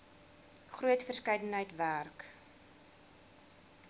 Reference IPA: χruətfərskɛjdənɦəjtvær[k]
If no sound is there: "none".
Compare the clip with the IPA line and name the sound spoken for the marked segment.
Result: k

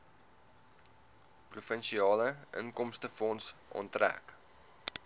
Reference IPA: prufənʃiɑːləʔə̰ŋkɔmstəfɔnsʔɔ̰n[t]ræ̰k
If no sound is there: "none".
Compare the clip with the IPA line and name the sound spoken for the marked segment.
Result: t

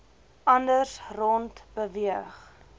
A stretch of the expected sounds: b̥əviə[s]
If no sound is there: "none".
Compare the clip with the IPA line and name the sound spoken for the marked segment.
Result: χ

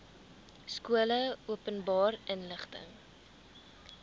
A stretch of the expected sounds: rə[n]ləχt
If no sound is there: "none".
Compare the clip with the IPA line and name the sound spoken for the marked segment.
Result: n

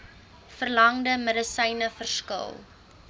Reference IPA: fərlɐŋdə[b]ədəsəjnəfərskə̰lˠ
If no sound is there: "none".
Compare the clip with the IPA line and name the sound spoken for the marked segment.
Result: m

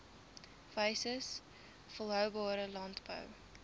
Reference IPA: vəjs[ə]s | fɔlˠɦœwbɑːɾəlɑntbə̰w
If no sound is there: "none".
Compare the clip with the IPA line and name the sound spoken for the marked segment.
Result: ə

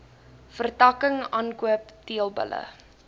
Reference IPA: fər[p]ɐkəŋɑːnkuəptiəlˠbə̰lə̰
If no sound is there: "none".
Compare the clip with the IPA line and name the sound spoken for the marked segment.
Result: t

